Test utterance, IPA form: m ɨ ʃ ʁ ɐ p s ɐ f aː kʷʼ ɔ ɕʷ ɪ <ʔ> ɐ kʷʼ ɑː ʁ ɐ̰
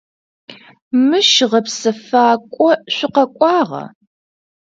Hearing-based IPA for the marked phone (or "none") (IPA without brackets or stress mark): q